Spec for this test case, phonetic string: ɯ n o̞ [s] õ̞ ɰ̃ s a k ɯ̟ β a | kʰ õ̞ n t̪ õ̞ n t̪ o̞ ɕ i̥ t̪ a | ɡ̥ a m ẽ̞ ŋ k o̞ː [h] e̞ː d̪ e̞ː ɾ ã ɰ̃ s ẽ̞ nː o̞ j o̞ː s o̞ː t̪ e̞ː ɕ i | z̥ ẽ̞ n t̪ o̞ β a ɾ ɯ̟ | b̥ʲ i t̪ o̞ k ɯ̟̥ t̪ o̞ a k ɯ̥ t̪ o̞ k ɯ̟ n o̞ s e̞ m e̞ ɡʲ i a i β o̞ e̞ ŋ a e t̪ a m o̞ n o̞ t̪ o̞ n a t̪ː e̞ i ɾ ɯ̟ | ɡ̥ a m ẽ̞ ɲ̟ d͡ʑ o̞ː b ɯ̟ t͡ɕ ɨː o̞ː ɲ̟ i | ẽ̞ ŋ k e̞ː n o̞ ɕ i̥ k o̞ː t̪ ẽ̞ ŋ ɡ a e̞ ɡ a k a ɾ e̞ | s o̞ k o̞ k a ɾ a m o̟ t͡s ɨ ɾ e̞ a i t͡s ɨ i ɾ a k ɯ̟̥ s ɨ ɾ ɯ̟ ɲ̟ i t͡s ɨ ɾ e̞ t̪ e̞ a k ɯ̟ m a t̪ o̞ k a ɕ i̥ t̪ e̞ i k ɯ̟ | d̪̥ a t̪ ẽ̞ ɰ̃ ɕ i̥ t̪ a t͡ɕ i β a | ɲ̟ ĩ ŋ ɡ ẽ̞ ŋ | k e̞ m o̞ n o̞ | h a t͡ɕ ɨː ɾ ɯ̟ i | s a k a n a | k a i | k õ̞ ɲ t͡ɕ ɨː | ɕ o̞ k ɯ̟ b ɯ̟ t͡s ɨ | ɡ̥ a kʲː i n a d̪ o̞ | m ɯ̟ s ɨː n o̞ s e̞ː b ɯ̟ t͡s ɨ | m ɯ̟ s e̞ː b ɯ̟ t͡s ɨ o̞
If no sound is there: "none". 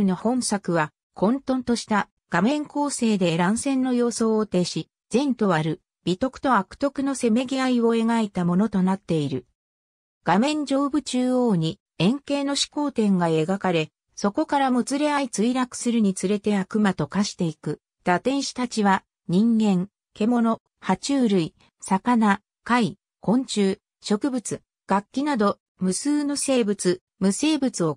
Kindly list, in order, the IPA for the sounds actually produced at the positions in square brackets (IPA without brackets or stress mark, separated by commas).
h, s